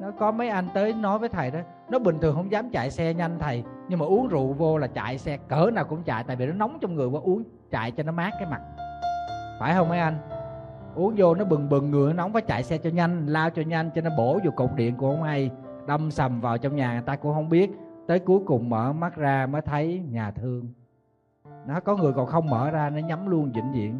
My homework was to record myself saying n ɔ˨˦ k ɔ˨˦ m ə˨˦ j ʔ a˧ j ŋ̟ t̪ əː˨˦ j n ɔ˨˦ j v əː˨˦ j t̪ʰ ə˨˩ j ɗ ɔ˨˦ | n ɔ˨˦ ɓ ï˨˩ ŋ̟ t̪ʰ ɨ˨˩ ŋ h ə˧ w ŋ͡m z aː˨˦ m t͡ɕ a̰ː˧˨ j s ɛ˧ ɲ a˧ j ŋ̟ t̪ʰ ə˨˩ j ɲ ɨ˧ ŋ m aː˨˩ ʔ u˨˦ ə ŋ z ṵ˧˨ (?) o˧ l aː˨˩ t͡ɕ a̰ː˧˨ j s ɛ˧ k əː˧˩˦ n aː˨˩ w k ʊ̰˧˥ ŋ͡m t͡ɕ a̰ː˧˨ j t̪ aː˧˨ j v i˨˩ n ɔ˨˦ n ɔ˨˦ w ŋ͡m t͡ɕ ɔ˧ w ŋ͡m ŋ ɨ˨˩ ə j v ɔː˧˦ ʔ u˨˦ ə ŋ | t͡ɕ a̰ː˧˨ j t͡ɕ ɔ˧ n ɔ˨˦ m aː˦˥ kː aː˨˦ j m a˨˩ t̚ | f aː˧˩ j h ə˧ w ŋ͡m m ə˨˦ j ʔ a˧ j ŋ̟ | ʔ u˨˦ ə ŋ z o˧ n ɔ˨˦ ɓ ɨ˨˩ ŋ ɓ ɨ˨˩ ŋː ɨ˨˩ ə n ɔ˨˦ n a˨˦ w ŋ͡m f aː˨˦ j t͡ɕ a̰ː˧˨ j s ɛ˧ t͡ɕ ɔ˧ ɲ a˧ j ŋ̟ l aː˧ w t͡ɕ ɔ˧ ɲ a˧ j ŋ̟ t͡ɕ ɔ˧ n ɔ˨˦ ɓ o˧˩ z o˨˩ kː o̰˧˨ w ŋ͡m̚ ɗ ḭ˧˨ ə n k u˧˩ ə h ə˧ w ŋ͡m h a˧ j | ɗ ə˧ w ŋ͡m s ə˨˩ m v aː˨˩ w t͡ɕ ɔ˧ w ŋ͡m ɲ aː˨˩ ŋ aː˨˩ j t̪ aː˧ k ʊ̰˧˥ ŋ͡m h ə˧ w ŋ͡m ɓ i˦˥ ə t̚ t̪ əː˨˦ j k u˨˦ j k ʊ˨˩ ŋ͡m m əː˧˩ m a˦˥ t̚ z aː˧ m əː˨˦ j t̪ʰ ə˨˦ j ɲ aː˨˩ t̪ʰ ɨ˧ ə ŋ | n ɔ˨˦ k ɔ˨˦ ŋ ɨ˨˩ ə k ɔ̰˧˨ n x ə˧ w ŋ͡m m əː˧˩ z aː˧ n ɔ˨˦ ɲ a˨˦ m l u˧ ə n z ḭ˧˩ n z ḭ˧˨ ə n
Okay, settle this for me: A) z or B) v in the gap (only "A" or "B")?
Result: B